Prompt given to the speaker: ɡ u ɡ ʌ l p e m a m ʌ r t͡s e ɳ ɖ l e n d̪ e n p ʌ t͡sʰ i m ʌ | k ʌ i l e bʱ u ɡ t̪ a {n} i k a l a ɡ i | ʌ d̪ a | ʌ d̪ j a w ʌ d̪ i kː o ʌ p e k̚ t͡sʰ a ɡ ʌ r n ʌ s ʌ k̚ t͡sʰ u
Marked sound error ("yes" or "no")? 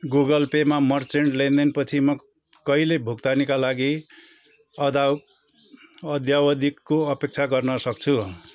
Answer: no